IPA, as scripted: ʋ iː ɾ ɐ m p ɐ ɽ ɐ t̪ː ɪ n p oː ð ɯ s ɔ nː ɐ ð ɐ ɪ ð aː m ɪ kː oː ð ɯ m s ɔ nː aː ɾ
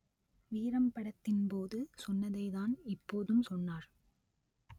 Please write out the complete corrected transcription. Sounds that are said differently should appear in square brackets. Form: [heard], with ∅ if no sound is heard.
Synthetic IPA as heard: ʋ iː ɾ ɐ m p ɐ ɽ ɐ t̪ː ɪ n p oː ð ɯ s ɔ nː ɐ ð ɐ ɪ ð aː [n] ɪ [pː] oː ð ɯ m s ɔ nː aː ɾ